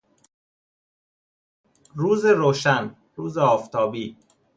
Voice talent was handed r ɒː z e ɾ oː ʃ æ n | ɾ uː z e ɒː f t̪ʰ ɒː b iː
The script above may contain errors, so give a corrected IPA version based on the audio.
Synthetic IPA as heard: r uː z e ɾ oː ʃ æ n | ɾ uː z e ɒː f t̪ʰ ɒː b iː